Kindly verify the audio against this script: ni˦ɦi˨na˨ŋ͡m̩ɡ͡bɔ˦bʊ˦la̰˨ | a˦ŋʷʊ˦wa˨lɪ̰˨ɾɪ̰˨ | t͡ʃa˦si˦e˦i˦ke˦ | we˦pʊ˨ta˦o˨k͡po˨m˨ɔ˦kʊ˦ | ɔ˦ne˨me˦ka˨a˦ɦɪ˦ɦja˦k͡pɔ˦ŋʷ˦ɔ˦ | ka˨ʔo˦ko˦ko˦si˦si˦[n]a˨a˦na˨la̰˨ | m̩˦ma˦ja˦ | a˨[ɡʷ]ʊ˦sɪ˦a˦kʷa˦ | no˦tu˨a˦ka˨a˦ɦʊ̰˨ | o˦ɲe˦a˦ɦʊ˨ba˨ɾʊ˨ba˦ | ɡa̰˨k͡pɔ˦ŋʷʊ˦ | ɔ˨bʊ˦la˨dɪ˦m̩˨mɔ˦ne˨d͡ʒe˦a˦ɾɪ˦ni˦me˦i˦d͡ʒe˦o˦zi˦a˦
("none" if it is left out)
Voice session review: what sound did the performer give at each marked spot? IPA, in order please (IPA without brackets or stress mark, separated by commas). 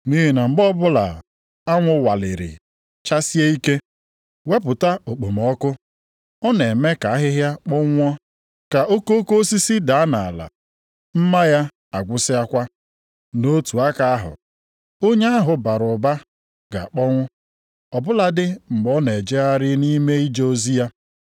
d, ɡʷ